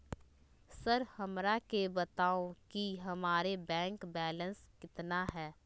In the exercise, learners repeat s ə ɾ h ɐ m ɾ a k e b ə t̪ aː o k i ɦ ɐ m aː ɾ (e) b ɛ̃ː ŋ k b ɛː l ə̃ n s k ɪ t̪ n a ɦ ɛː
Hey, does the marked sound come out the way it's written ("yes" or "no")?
yes